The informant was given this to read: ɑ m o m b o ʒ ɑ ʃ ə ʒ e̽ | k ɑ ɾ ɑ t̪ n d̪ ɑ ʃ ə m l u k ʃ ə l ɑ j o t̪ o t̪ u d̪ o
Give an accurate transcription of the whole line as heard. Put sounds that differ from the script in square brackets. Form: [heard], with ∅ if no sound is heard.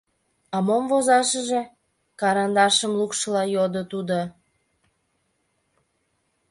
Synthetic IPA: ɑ m o m [v] o [z] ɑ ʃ ə ʒ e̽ | k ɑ ɾ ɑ [∅] n d̪ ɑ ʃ ə m l u k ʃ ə l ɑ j o [d̪] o t̪ u d̪ o